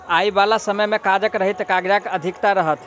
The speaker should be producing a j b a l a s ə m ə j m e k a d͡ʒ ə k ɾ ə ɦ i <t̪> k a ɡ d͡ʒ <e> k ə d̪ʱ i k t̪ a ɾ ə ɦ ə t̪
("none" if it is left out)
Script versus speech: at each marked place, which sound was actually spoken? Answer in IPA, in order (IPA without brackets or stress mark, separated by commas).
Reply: t̪, a